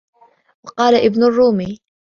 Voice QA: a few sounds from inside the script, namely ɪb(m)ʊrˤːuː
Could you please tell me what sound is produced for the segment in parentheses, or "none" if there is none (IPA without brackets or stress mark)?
n